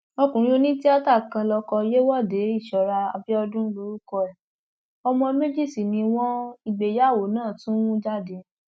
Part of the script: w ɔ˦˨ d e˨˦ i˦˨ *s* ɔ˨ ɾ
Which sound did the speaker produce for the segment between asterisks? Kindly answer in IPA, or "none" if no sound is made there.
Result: ʃ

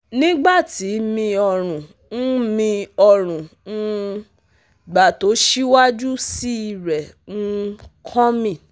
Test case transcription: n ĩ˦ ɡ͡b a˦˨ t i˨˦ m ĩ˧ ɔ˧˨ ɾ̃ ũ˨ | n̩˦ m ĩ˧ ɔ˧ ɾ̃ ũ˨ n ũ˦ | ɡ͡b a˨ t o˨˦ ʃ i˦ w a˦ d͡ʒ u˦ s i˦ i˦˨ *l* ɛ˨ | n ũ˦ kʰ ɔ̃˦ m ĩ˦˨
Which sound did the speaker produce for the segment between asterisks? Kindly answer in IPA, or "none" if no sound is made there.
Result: ɾ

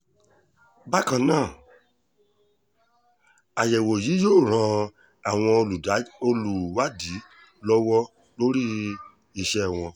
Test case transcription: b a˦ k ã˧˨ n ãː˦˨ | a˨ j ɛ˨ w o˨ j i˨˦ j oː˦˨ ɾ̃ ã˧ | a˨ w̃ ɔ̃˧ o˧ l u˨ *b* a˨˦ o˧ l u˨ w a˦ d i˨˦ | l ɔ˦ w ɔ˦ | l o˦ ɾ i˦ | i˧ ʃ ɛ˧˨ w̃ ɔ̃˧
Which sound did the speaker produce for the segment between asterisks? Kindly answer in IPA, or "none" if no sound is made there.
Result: d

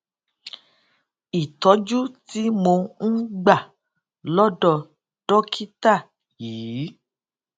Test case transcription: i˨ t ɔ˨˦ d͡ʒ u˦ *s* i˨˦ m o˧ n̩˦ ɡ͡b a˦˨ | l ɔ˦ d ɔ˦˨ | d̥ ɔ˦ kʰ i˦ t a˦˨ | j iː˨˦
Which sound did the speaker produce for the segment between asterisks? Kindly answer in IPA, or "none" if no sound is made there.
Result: t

